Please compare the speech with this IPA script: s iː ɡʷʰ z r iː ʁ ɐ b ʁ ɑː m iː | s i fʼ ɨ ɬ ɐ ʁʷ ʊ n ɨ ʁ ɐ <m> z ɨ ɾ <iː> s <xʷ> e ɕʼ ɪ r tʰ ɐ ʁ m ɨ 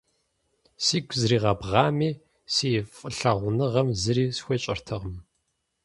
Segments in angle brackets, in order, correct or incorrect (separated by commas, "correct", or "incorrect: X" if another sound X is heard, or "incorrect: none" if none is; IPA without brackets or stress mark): correct, correct, correct